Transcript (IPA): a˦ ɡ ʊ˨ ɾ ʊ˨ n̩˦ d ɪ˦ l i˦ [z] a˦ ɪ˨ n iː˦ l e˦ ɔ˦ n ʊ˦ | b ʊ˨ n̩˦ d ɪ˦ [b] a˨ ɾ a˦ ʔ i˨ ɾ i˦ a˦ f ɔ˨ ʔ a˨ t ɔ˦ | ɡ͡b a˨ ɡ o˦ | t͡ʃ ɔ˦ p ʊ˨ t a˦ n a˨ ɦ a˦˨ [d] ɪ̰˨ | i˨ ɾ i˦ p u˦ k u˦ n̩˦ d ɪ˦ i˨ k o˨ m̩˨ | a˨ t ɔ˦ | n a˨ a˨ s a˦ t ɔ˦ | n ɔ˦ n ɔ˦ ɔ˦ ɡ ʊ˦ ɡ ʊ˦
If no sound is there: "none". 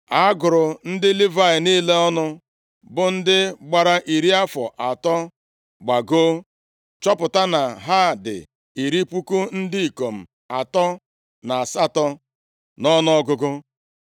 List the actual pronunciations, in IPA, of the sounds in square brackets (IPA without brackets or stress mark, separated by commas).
v, ɡ͡b, d